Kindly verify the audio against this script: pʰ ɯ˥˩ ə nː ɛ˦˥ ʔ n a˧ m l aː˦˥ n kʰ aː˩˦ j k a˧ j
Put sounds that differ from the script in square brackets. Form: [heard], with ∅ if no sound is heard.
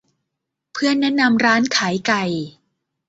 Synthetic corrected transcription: pʰ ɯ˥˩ ə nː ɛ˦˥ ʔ n a˧ m [ɾ] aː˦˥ n kʰ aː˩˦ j k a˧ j